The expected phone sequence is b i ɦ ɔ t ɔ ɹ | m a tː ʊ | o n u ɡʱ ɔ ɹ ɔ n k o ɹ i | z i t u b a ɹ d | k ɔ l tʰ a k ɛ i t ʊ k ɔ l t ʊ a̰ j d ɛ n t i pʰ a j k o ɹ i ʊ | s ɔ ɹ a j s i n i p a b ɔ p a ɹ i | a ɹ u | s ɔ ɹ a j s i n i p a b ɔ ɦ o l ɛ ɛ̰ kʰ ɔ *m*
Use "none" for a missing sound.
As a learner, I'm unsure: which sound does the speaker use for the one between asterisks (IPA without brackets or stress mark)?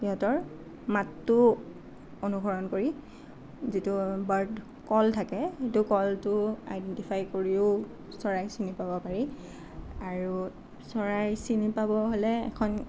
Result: n